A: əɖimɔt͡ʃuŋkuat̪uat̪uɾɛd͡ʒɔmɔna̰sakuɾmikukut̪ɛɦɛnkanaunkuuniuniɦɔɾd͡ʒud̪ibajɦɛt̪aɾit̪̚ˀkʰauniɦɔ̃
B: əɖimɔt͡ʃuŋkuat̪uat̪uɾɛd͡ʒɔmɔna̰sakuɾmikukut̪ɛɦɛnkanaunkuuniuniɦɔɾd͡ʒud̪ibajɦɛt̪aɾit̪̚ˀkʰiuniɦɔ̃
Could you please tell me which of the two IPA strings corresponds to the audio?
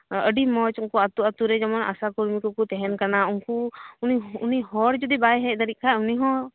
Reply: A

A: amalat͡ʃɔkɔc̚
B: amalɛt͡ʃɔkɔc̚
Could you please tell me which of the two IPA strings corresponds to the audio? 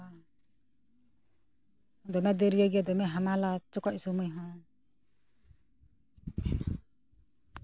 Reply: A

